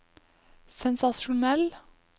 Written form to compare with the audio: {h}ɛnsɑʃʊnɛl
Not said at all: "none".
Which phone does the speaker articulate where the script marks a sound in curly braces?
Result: s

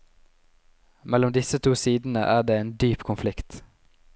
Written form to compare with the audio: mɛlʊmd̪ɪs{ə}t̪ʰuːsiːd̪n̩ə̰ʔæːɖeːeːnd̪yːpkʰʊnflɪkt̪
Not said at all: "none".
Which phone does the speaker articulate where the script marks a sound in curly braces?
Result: ə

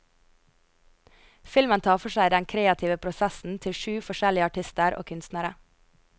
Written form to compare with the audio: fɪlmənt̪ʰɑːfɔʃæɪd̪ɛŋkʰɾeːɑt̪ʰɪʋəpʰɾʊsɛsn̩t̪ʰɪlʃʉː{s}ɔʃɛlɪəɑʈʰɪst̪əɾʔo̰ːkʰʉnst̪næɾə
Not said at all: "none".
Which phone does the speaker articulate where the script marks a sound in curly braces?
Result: f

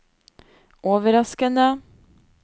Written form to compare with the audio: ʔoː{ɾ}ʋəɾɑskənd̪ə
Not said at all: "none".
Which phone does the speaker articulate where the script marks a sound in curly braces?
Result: none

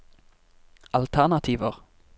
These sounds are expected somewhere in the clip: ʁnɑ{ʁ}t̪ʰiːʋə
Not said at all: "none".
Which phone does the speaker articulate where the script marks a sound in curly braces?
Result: none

